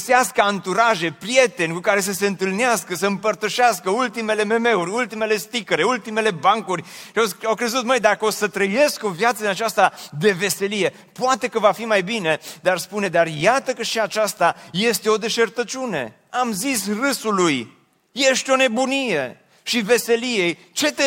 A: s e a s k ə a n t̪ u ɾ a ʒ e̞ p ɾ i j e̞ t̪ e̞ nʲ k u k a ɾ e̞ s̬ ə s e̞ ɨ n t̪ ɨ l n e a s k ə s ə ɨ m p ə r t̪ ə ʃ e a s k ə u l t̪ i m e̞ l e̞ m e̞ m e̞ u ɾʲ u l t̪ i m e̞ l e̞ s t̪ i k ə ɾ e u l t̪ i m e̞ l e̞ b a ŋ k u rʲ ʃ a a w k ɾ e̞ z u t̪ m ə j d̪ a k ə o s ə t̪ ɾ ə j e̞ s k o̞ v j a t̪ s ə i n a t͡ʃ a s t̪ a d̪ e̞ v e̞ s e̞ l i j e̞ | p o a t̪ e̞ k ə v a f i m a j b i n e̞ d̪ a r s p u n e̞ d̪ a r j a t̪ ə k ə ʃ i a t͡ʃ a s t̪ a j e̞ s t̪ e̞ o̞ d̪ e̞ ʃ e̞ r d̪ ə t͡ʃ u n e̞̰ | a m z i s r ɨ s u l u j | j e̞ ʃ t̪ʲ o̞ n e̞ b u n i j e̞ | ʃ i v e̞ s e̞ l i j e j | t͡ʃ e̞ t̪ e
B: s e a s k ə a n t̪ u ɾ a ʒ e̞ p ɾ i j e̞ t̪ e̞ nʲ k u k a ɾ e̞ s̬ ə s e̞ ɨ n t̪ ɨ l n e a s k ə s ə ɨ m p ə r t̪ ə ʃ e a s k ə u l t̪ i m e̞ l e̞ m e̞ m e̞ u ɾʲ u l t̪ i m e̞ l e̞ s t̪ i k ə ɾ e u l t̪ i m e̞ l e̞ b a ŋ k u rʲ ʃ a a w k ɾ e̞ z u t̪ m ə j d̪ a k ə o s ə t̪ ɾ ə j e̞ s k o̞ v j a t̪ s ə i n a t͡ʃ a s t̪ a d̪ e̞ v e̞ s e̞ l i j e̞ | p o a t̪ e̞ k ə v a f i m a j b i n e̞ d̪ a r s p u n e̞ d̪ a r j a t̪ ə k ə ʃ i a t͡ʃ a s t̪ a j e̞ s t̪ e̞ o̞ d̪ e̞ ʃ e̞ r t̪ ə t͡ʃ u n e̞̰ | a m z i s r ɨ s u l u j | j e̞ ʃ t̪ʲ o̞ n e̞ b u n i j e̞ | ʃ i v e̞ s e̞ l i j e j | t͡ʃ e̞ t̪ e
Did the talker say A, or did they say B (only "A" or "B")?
B